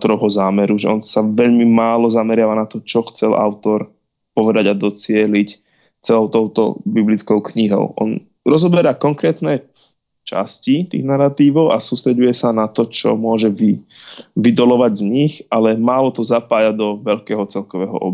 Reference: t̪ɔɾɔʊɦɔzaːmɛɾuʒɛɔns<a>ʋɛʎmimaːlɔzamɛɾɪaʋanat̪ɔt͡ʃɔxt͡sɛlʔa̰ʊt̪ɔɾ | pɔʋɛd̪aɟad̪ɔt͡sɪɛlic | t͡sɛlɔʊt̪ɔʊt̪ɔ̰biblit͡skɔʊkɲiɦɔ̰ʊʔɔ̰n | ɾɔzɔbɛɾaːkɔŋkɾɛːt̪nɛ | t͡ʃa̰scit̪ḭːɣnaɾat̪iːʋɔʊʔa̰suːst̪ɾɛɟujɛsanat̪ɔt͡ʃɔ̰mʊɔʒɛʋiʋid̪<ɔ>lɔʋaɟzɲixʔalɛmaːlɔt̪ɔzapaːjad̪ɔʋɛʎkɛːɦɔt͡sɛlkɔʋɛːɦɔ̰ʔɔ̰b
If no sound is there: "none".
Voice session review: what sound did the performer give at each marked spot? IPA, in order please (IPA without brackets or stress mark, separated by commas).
a, ɔ